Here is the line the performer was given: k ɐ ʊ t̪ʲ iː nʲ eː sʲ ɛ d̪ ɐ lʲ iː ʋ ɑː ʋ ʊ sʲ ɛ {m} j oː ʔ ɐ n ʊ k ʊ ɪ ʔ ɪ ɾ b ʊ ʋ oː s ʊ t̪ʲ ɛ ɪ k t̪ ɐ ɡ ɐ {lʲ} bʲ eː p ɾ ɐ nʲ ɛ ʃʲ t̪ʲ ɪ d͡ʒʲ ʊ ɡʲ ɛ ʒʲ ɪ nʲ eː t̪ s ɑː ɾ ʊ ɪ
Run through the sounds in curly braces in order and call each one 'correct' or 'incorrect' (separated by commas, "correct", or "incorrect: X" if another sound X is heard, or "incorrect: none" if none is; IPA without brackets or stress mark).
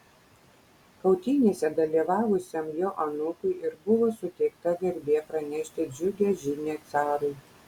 correct, incorrect: ɾʲ